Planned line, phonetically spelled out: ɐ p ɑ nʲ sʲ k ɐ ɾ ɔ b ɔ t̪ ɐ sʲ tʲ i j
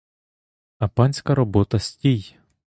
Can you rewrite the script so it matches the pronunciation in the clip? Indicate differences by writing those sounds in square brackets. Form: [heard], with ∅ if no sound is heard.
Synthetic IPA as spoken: ɐ p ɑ nʲ sʲ k ɐ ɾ ɔ b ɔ t̪ ɐ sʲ tʲ i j